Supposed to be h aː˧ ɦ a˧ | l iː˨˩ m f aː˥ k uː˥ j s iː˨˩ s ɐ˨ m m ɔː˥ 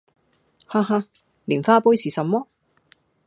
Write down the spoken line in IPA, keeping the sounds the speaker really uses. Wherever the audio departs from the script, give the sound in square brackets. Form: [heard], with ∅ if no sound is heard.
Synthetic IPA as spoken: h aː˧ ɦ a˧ | l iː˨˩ [n] f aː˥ [p] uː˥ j s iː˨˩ s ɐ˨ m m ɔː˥